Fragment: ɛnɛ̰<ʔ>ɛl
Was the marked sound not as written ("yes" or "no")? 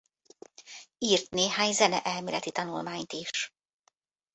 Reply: no